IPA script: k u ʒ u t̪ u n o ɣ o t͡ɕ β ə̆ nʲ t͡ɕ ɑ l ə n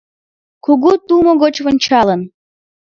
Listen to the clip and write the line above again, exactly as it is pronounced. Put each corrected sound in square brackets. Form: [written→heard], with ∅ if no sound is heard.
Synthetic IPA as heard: k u [ʒ→ɣ] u t̪ u [n→m] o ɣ o t͡ɕ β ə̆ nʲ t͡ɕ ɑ l ə n